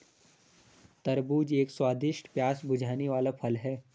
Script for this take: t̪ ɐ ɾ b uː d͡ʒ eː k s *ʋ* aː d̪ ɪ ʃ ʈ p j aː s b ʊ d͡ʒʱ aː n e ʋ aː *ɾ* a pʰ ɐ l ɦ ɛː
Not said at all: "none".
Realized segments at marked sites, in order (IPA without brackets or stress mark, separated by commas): w, l